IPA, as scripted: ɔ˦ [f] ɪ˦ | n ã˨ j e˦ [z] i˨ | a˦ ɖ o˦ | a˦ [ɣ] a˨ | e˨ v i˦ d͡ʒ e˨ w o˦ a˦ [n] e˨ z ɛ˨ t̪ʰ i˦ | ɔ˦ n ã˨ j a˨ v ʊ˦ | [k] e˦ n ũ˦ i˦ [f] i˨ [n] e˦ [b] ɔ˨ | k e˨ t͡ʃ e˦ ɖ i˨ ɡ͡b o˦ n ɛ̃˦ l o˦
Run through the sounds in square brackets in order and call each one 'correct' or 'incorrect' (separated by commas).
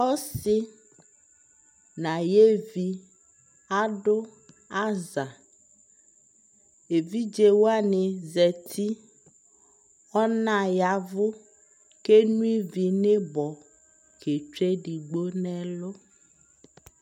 incorrect, incorrect, incorrect, correct, correct, incorrect, correct, correct